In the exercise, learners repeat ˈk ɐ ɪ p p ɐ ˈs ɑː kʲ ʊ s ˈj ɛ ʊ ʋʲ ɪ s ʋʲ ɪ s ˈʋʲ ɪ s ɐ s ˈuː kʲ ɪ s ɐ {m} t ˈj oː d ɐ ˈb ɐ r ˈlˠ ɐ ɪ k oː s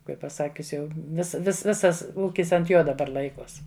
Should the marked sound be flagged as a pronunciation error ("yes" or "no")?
yes